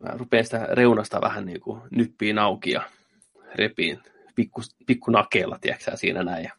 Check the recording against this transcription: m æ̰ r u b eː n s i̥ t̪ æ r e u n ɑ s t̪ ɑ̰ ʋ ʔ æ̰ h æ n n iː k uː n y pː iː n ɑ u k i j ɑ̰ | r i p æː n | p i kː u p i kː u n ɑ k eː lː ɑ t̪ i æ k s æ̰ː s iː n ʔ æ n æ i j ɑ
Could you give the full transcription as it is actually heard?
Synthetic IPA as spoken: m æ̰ r u p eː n s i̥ t̪ æ r e u n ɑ s t̪ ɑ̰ ʋ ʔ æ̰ h æ n n iː k u n y pː iː n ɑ u k i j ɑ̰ | r e p iː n | p i kː u p i kː u n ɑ k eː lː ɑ t̪ i æ k s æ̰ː s iː n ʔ æ n æ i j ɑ